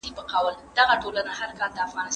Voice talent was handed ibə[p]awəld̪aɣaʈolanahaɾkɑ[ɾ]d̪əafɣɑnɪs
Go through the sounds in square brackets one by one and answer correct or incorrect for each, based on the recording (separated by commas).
incorrect, incorrect